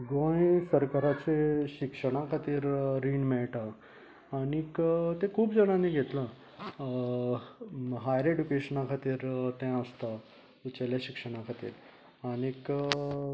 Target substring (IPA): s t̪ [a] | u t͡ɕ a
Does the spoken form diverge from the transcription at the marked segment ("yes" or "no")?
no